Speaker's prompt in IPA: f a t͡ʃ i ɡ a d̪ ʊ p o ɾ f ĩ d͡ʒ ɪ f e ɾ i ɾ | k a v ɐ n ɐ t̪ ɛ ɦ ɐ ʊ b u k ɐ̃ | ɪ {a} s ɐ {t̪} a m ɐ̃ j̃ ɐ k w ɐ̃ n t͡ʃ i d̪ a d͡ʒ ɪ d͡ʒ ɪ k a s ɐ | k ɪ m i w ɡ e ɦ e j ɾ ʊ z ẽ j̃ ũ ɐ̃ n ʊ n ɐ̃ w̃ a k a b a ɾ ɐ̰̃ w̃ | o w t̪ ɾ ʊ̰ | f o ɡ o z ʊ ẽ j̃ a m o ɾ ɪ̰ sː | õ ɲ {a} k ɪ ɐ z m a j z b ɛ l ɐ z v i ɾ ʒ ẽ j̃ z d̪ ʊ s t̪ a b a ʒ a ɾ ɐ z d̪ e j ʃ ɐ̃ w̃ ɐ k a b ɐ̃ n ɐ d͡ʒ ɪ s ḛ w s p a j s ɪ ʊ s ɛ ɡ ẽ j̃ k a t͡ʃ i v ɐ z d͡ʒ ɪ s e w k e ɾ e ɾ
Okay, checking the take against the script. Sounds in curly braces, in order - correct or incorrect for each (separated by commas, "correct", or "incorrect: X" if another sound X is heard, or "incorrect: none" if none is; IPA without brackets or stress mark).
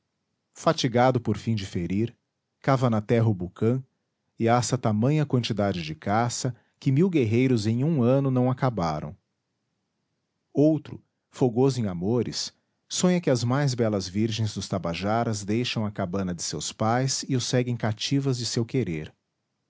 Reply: correct, correct, incorrect: ɐ